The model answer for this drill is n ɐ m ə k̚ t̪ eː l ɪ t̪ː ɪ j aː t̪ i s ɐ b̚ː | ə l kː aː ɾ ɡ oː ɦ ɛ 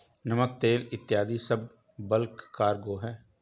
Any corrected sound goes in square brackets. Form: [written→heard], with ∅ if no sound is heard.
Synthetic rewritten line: n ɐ m ə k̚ t̪ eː l ɪ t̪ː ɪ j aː [t̪→d̪] i s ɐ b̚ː | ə l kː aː ɾ ɡ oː ɦ [ɛ→ɛː]